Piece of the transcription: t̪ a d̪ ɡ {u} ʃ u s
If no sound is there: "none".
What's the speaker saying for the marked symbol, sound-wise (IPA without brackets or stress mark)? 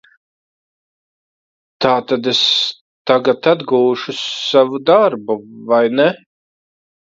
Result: uː